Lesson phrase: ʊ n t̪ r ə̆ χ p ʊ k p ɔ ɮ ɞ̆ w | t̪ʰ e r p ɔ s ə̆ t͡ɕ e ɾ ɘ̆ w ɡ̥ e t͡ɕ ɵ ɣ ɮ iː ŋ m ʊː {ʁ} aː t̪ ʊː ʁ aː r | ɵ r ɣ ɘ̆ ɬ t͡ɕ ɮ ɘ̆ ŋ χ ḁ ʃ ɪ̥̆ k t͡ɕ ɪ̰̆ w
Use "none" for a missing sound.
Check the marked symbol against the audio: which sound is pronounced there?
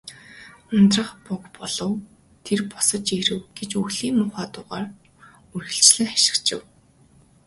χ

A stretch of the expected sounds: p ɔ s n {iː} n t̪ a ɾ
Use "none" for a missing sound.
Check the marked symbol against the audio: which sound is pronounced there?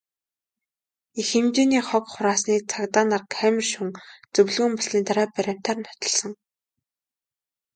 iː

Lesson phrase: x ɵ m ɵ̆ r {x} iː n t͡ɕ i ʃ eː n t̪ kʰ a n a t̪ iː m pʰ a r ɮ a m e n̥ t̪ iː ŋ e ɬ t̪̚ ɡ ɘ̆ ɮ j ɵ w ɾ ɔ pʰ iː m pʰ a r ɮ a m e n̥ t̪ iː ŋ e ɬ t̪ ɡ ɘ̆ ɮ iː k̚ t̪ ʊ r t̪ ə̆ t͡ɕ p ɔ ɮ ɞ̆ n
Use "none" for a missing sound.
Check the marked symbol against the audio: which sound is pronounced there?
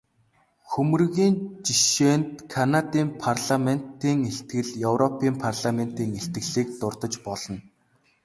ɣ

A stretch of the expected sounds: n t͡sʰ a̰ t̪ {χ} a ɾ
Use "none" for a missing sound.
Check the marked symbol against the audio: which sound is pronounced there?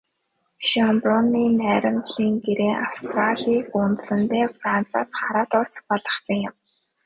χ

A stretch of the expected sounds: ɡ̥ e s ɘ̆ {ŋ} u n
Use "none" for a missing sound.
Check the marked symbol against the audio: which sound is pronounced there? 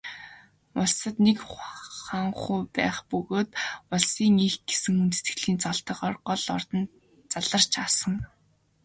ŋ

